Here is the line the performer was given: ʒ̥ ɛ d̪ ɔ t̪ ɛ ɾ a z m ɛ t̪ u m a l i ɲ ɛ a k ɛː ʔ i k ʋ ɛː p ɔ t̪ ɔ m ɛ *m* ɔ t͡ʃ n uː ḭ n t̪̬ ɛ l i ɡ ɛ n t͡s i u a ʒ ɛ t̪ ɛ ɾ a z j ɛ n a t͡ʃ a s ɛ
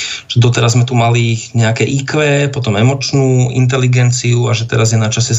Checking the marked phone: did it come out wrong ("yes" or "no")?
no